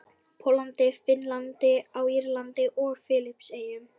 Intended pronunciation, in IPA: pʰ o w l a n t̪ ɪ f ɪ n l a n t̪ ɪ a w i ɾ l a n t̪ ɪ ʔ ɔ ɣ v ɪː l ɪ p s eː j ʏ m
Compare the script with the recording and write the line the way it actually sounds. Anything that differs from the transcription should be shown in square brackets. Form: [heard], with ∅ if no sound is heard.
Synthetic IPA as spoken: pʰ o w l a n t̪ ɪ f ɪ n l a n t̪ ɪ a w i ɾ l a n t̪ ɪ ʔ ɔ ɣ [f] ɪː l ɪ p s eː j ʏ m